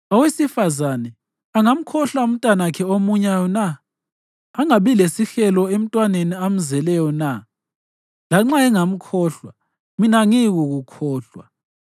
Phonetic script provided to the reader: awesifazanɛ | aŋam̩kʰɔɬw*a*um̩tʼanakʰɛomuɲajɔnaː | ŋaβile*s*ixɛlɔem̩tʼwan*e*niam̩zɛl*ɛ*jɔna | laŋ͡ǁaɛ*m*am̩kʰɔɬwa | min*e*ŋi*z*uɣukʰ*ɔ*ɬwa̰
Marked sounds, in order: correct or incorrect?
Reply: correct, correct, correct, correct, incorrect: ŋ, incorrect: a, incorrect: ɣ, incorrect: ɔː

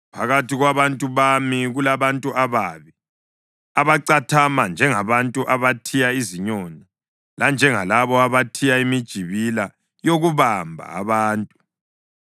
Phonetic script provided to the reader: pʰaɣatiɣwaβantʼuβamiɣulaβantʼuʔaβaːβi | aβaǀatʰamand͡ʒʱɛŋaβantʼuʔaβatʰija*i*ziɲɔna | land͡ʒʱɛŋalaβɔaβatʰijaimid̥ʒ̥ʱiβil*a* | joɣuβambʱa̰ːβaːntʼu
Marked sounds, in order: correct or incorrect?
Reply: correct, correct

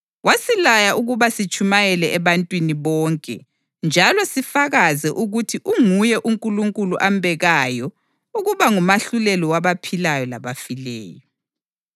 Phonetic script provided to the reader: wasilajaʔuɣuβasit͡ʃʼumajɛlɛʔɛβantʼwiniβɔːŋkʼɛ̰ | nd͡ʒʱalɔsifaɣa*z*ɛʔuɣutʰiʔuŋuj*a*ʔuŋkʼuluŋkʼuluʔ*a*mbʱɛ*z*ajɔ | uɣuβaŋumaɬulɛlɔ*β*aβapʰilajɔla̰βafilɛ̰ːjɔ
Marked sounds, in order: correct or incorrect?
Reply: correct, incorrect: ɛ, correct, incorrect: ɣ, incorrect: w

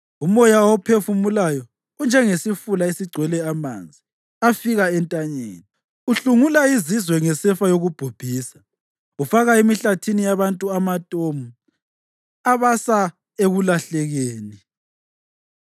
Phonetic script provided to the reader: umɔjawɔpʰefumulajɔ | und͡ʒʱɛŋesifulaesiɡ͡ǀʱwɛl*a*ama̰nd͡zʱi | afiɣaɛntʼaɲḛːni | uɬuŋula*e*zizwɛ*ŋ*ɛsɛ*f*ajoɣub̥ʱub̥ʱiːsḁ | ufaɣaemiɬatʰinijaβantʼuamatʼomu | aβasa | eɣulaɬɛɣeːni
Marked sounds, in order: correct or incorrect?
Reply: incorrect: ɛ, incorrect: i, correct, correct

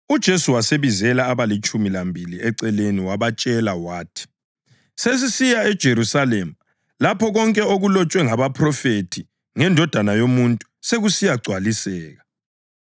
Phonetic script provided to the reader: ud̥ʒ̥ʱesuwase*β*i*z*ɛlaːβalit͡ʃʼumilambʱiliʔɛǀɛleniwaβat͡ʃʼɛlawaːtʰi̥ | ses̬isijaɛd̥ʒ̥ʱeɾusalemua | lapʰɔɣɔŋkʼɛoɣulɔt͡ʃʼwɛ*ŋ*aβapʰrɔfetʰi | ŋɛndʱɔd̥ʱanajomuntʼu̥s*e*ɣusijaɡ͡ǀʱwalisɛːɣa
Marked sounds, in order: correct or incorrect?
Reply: correct, correct, correct, correct

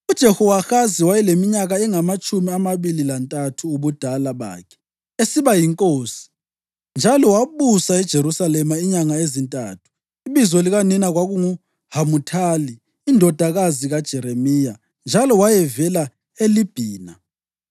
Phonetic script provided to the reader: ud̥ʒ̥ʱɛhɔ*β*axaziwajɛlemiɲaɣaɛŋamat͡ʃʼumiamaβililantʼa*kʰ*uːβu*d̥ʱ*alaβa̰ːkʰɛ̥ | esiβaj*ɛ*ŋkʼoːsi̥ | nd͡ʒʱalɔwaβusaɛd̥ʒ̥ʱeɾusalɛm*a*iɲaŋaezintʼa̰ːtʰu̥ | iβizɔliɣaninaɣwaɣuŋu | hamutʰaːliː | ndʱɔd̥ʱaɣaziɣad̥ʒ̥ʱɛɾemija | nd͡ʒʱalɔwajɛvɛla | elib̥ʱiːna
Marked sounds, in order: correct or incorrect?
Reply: incorrect: w, incorrect: tʰ, correct, incorrect: i, correct

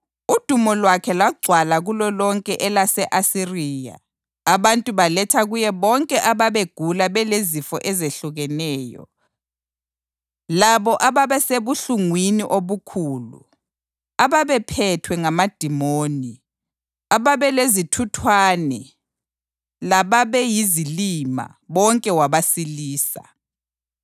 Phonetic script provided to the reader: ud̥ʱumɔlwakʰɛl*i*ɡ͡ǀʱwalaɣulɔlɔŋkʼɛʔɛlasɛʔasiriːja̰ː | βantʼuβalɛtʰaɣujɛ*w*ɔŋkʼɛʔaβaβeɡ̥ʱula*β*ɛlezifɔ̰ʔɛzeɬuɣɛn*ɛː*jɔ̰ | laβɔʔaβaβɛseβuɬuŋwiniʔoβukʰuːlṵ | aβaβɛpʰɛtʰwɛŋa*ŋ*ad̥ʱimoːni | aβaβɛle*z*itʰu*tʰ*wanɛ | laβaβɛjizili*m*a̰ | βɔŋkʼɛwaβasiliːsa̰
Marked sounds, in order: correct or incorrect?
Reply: incorrect: a, incorrect: β, correct, correct, incorrect: m, correct, correct, correct

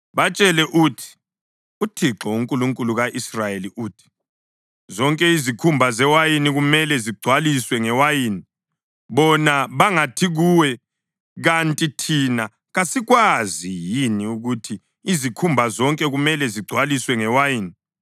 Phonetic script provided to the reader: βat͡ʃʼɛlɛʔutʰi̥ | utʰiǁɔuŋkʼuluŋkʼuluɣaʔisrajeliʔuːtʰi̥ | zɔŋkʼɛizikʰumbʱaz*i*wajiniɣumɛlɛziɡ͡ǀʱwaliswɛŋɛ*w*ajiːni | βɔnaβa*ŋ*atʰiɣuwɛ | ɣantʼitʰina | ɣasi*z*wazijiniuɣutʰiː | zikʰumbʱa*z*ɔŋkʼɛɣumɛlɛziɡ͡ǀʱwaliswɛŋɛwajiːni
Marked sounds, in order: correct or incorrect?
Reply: incorrect: ɛ, correct, correct, incorrect: ɣ, correct

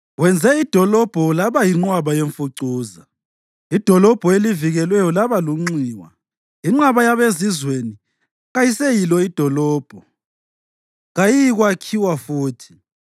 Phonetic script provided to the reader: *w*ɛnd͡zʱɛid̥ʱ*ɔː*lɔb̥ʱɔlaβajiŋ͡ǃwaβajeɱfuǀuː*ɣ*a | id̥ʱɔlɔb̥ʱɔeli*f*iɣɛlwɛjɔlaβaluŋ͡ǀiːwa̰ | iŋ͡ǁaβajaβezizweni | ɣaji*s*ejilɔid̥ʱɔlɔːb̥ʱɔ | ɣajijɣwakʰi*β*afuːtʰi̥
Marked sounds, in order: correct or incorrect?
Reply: correct, incorrect: ɔ, incorrect: z, incorrect: v, correct, incorrect: w

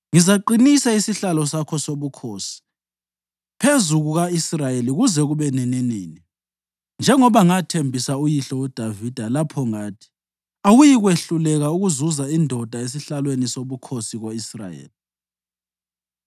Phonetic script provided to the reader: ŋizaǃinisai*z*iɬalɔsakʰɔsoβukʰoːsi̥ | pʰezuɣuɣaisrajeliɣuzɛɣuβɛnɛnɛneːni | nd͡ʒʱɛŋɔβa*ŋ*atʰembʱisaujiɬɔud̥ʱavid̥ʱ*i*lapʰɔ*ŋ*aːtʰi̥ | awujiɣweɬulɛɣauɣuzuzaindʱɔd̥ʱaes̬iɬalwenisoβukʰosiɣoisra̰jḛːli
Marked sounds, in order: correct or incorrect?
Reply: incorrect: s, correct, incorrect: a, correct

